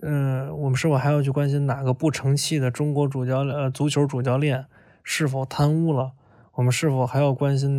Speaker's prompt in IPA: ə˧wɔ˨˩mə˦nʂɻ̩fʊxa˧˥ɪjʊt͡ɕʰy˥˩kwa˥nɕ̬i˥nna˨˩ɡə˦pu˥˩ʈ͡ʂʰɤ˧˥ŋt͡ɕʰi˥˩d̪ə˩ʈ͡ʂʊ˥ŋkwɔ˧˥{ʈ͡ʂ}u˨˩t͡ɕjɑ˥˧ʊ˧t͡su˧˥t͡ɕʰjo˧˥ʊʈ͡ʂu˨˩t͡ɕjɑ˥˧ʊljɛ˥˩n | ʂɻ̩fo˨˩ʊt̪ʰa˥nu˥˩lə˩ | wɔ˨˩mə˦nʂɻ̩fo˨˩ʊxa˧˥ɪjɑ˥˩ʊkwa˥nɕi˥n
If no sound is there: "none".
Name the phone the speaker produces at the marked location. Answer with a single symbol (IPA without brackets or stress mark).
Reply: ʈ͡ʂ